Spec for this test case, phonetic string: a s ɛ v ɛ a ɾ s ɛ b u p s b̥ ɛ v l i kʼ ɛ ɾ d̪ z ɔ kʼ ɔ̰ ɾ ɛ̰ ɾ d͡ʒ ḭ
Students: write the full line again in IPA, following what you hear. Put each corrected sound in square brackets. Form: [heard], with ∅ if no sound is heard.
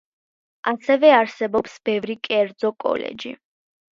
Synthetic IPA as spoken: a s ɛ v ɛ a ɾ s ɛ b [ɔ] p s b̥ ɛ v [ɾ] i kʼ ɛ ɾ d̪ z ɔ kʼ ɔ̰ [l] ɛ̰ [∅] d͡ʒ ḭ